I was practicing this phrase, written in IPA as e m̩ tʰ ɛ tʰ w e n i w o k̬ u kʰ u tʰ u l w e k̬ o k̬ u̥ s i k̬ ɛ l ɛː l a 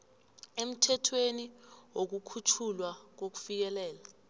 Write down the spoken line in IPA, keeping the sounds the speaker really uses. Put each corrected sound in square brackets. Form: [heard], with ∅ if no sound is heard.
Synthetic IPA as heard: e m̩ tʰ ɛ tʰ w e n i w o k̬ u kʰ u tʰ u l w [a] k̬ o k̬ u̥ [f] i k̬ ɛ l ɛː l a